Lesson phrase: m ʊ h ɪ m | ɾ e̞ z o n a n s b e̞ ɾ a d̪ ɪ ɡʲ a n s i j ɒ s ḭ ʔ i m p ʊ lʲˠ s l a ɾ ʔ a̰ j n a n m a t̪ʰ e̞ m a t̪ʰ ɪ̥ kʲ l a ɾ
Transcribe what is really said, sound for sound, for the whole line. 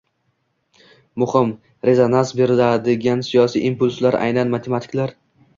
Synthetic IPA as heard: m ʊ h ɪ m | ɾ e̞ z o n a n s b e̞ ɾ a d̪ ɪ ɡʲ a n s i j ɒ s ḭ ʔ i m p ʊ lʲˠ s l a ɾ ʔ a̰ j n a n m a t̪ʰ e̞ m a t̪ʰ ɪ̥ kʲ l a ɾ